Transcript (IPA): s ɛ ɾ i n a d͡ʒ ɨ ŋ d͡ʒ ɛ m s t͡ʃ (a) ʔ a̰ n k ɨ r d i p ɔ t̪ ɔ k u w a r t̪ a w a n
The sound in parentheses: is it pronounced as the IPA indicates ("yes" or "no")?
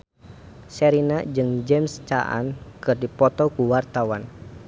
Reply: yes